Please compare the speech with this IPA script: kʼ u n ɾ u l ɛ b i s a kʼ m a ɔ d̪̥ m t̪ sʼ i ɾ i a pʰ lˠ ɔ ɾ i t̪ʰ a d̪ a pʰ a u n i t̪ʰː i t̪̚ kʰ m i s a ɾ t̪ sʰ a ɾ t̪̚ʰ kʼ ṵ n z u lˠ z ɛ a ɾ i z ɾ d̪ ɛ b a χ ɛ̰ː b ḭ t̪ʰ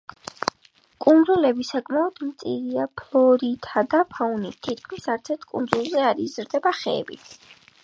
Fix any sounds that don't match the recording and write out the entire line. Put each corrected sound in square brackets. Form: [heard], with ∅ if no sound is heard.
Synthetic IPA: kʼ u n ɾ u l ɛ b i s a kʼ m a ɔ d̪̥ m t̪ sʼ i ɾ i a pʰ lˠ ɔ ɾ i t̪ʰ a d̪ a pʰ a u n i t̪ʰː i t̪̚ kʰ m i s a ɾ t̪ sʰ [ɛ] ɾ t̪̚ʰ kʼ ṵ n z u lˠ z ɛ a ɾ i z ɾ d̪ ɛ b a χ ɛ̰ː b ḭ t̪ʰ